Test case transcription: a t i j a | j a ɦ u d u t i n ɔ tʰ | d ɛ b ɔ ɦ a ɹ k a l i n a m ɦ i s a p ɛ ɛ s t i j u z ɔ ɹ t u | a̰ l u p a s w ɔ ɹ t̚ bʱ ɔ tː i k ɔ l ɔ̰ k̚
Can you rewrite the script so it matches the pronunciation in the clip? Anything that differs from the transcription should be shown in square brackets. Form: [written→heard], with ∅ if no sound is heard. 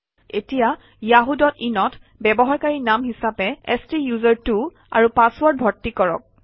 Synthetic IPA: [a→e] t i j a | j a ɦ u d [u→ɔ] t i n ɔ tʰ | [d→b] ɛ b ɔ ɦ a ɹ k a [l→ɹ] i n a m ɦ i s a p ɛ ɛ s t i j u z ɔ ɹ t u | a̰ [l→ɹ] u p a s w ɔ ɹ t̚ bʱ ɔ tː i k ɔ [l→ɹ] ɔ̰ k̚